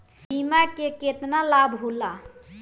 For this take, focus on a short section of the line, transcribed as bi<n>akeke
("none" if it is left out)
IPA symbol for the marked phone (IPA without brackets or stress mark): m